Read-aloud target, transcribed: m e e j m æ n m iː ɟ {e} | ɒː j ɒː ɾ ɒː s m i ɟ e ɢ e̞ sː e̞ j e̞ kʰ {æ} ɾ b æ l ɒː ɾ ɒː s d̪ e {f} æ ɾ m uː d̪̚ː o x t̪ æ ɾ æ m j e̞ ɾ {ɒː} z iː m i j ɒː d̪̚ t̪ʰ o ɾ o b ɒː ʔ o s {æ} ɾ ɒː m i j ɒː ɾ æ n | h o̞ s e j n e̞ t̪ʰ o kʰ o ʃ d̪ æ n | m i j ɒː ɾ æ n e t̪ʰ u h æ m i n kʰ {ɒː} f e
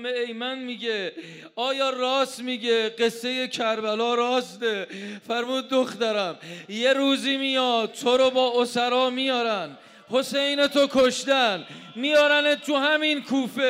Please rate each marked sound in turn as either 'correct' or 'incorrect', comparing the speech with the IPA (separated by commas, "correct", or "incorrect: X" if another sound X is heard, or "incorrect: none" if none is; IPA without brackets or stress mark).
correct, correct, correct, incorrect: uː, correct, incorrect: uː